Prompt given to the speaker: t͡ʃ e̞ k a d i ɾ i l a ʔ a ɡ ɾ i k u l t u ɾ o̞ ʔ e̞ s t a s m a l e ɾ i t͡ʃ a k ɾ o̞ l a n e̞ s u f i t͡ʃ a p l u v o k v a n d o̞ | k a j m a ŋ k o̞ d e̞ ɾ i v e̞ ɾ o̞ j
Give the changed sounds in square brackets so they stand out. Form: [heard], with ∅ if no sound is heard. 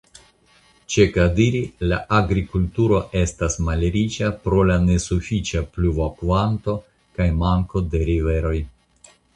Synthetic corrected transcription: t͡ʃ e̞ k a d i ɾ i l a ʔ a ɡ ɾ i k u l t u ɾ o̞ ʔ e̞ s t a s m a l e ɾ i t͡ʃ a [p] ɾ o̞ l a n e̞ s u f i t͡ʃ a p l u v o k v a n [t] o̞ | k a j m a ŋ k o̞ d e̞ ɾ i v e̞ ɾ o̞ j